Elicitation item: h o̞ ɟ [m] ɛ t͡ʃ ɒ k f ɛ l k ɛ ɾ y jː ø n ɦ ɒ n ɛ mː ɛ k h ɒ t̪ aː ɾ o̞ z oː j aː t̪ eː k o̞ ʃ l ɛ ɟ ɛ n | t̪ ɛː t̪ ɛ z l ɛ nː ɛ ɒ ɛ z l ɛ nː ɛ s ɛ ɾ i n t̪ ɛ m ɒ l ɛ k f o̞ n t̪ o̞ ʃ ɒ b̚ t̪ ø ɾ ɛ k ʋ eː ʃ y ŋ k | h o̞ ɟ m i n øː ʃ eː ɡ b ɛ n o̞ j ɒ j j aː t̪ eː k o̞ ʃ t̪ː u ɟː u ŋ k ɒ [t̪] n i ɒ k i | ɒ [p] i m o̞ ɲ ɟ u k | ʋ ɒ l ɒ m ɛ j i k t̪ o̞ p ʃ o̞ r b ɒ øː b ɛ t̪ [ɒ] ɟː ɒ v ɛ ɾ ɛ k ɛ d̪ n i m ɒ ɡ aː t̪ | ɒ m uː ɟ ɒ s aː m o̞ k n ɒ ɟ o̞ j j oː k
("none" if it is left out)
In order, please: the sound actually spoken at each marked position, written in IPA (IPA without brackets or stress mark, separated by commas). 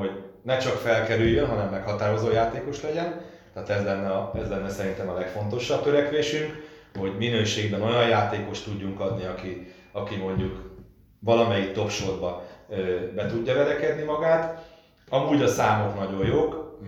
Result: n, d̪, k, u